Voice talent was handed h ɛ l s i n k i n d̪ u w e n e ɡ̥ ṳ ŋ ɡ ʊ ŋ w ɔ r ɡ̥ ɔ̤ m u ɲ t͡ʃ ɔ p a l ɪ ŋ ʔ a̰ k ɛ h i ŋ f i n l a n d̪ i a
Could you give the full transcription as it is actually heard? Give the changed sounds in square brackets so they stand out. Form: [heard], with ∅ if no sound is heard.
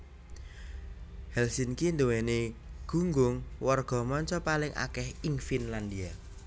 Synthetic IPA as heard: h ɛ l s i n k i n d̪ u w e n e ɡ̥ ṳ ŋ ɡ ʊ ŋ w ɔ r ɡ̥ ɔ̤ m [ɔ] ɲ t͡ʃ ɔ p a l ɪ ŋ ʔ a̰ k ɛ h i ŋ f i n l a n d̪ i a

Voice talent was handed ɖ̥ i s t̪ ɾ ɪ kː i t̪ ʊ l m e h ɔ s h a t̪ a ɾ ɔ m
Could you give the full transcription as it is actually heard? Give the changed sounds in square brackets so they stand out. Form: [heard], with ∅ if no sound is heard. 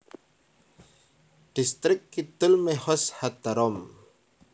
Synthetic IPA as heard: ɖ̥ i s t̪ ɾ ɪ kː i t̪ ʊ l m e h ɔ s h a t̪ a ɾ ɔ m

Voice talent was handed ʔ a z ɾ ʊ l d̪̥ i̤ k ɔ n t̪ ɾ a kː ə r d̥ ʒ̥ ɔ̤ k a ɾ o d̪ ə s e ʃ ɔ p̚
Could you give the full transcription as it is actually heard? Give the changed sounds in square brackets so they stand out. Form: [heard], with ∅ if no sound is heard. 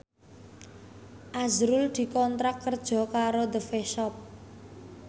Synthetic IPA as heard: ʔ a z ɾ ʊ l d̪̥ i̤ k ɔ n t̪ ɾ a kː ə r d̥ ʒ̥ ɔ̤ k a ɾ o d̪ ə [f] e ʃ ɔ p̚

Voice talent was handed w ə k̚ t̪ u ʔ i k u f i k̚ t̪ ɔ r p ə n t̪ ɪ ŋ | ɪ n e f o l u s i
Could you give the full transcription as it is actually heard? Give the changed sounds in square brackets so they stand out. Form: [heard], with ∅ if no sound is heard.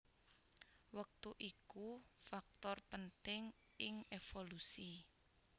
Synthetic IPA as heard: w ə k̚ t̪ u ʔ i k u f [a] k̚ t̪ ɔ r p ə n t̪ ɪ ŋ | ɪ [ŋ] e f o l u s i

